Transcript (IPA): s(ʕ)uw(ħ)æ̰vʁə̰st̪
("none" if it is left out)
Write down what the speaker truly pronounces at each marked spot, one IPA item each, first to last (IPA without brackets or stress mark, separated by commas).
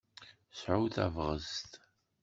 ʕ, θ